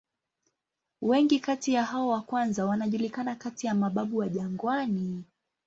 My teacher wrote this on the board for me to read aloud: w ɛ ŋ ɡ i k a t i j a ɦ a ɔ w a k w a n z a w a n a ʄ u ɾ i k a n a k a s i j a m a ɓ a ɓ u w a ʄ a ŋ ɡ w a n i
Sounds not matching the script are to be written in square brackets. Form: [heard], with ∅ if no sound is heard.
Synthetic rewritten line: w ɛ ŋ ɡ i k a t i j a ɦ a ɔ w a k w a n z a w a n a ʄ u [l] i k a n a k a [t] i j a m a ɓ a ɓ u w a ʄ a ŋ ɡ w a n i